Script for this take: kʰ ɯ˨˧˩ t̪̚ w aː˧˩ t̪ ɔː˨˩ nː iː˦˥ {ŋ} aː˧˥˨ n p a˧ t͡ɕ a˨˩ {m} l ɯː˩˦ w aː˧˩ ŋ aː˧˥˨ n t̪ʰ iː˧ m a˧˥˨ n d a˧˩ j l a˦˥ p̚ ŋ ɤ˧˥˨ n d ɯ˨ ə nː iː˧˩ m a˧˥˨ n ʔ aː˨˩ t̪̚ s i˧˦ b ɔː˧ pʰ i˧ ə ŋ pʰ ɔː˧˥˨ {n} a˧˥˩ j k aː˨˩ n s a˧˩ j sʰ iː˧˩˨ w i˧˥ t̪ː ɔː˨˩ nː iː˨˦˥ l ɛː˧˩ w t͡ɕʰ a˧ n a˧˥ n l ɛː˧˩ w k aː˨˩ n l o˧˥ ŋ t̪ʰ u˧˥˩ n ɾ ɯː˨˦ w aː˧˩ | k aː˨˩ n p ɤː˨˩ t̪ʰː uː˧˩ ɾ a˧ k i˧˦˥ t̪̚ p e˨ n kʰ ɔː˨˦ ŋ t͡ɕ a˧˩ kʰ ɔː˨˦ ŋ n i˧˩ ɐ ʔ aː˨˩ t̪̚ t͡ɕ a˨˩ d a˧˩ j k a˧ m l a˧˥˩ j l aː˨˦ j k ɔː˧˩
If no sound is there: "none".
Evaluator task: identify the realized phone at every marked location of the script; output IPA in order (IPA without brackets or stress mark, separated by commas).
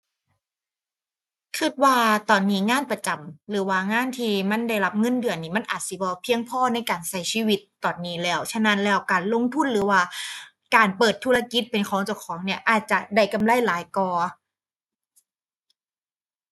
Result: ŋ, m, n